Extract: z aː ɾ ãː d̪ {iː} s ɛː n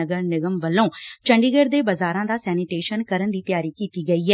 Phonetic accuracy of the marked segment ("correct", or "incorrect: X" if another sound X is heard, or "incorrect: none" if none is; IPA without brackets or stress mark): incorrect: aː